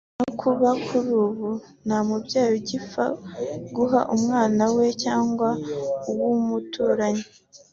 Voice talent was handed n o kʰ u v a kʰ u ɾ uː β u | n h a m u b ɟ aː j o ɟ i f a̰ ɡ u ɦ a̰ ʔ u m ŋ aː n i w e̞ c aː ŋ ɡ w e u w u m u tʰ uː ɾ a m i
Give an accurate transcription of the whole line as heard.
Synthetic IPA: n o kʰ u β a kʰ u ɾ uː β u | n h a m u b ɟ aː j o ɟ i f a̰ ɡ u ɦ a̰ ʔ u m ŋ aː n a w e̞ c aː ŋ ɡ w a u w u m u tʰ uː ɾ a ɲ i